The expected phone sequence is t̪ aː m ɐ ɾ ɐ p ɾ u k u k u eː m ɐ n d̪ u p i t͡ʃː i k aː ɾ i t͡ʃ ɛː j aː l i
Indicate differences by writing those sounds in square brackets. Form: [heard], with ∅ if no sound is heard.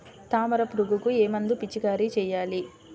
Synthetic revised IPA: t̪ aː m ɐ ɾ ɐ p ɾ u [ɡ] u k u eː m ɐ n d̪ u p i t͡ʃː i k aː ɾ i t͡ʃ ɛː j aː l i